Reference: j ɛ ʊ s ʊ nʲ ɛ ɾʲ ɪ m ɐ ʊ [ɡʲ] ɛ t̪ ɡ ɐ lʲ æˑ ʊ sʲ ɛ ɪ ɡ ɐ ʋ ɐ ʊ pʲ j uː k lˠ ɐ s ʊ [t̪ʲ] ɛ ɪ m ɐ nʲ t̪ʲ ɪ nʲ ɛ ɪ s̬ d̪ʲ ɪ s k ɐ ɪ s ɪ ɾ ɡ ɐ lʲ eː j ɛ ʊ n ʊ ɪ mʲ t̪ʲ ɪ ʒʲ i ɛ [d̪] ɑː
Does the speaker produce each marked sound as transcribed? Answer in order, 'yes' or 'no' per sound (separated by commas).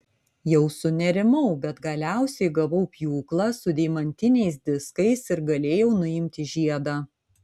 no, no, yes